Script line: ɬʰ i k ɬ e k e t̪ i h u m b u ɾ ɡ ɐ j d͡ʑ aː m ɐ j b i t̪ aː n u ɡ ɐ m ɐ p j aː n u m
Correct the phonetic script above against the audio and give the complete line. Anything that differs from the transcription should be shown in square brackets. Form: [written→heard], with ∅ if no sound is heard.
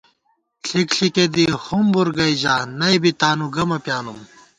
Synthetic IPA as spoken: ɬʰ i k ɬ [e→i] k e [t̪→d̪] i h u m b u ɾ ɡ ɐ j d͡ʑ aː [m→n] ɐ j b i t̪ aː n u ɡ ɐ m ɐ p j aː n u m

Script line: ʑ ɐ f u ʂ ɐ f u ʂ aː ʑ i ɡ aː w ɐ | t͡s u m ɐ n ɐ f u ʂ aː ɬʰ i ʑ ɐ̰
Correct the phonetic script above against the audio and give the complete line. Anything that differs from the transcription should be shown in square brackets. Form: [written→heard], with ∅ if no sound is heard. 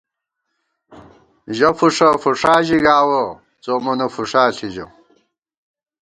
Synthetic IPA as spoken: ʑ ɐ f u ʂ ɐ f u ʂ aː ʑ i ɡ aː w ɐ | t͡s [u→o] m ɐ n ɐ f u ʂ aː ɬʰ i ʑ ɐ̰

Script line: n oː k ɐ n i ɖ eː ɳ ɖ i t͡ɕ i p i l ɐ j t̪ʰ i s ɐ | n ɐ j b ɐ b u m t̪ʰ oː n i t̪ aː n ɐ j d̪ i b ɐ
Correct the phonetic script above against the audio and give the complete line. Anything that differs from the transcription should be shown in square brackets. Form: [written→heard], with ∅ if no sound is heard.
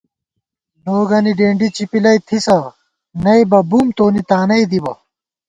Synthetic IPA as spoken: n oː [k→ɡ] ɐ n i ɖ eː ɳ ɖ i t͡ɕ i p i l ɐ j t̪ʰ i s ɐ | n ɐ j b ɐ b u m [t̪ʰ→t̪] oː n i t̪ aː n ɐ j d̪ i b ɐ

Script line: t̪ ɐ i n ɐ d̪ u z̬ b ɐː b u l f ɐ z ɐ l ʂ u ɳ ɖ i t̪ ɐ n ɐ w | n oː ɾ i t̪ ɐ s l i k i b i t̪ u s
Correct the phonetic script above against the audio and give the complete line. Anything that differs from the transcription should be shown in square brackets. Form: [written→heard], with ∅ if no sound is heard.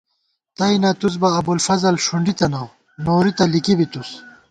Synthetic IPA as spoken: t̪ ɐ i n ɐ [d̪→t̪] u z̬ b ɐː b u l f ɐ z ɐ l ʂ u ɳ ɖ i t̪ ɐ n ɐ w | n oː ɾ i t̪ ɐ [s→∅] l i k i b i t̪ u s

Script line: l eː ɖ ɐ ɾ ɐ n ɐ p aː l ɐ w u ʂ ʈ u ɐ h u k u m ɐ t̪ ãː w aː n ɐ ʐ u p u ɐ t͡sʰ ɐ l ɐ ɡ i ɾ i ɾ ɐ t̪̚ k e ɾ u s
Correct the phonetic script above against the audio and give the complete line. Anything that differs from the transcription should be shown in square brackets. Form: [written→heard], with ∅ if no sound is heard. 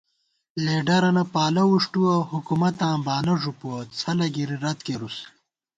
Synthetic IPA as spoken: l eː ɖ ɐ ɾ ɐ n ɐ p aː l ɐ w u ʂ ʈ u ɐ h u k u m ɐ t̪ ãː [w→b] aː n ɐ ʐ u p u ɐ t͡sʰ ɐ l ɐ ɡ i ɾ i ɾ ɐ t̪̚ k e ɾ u s

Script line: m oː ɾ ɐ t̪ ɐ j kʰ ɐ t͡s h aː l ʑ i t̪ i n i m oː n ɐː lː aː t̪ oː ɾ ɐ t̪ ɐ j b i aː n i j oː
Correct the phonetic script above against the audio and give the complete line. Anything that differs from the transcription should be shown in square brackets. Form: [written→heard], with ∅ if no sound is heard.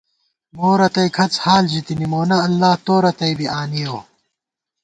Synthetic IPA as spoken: m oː ɾ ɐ t̪ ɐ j kʰ ɐ t͡s h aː l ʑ i t̪ i n i m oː n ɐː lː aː t̪ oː ɾ ɐ t̪ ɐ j b i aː n i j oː

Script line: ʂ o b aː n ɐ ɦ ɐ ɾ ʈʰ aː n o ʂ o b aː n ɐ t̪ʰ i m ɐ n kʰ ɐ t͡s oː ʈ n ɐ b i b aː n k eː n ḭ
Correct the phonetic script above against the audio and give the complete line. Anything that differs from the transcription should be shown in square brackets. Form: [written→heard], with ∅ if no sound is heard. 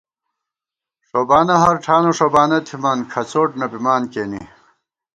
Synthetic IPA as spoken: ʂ o b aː n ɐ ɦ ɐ ɾ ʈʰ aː n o ʂ o b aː n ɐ t̪ʰ i m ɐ n kʰ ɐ t͡s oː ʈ n ɐ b i [b→m] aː n k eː n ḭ

